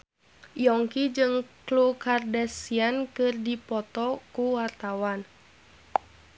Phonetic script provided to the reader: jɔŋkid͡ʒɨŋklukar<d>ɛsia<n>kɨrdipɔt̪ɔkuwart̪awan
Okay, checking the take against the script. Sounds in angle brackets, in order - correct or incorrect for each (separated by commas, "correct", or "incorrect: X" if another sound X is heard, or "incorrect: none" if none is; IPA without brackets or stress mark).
correct, correct